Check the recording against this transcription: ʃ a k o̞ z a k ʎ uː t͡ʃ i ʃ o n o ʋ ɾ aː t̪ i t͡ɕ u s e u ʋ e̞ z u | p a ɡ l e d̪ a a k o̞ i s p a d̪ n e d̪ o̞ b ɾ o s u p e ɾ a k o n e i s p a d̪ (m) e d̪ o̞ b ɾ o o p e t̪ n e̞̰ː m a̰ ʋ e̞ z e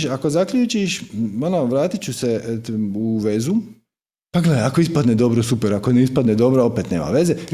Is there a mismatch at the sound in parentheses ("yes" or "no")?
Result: yes